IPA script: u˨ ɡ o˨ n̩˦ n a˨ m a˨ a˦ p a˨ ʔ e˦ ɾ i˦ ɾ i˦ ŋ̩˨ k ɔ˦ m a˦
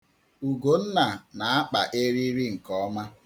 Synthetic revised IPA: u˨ ɡ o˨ n̩˦ n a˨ n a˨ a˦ k͡p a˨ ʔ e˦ ɾ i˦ ɾ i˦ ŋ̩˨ k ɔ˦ m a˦